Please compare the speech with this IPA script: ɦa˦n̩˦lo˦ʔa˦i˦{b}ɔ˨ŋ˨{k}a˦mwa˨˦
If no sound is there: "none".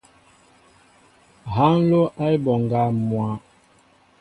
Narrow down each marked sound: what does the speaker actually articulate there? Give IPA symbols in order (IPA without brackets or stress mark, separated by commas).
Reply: b, ɡ